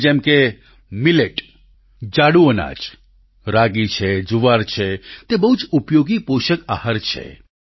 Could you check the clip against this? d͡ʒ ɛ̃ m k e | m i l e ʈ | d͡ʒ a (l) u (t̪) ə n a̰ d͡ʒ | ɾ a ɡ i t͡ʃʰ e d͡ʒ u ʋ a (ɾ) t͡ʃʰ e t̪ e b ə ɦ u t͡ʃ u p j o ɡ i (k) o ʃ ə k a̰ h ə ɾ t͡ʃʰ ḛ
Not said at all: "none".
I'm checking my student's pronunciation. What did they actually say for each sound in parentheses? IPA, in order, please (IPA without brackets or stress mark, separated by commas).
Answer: ɽ, none, ɾ, p